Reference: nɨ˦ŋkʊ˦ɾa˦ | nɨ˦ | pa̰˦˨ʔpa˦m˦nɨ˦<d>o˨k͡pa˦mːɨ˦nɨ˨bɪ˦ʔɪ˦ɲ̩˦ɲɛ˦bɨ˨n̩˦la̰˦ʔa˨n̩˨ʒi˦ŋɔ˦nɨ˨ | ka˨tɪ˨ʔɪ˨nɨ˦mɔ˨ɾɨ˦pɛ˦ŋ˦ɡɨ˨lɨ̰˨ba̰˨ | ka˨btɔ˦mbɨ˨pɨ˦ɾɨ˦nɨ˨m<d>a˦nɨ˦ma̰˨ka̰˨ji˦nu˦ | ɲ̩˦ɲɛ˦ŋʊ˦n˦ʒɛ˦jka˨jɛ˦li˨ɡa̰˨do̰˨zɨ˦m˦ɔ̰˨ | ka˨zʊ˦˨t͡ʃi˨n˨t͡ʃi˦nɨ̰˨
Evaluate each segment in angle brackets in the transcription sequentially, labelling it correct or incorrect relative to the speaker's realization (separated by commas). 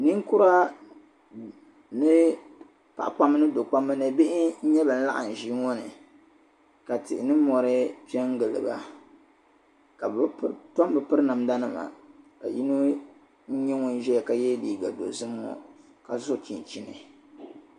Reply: correct, correct